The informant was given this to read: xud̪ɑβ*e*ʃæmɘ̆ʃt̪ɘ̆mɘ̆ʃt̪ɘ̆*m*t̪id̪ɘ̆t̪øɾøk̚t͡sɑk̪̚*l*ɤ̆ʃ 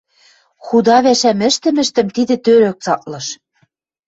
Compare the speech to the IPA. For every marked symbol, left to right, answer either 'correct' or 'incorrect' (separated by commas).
incorrect, correct, correct